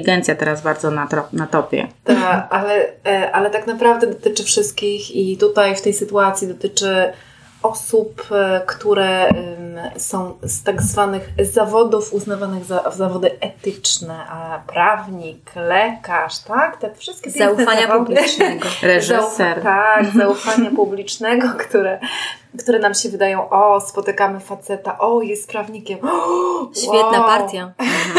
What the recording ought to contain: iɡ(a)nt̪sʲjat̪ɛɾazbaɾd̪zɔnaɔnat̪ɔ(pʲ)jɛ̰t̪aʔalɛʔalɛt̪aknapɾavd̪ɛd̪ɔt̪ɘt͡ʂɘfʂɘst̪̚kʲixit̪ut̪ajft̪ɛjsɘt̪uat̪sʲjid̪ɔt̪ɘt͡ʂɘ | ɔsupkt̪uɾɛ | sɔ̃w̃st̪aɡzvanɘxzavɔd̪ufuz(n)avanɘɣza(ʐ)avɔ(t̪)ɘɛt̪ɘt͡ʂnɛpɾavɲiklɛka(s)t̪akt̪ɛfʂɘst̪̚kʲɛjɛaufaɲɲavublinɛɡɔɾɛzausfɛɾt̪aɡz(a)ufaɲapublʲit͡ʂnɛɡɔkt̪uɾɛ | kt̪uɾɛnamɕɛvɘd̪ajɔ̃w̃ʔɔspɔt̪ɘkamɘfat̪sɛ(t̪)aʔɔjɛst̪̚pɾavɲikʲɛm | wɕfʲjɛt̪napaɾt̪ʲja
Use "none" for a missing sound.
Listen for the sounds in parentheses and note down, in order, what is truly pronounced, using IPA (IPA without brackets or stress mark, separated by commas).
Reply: ɛ, pʲ, n, z, d̪, ʂ, a, t̪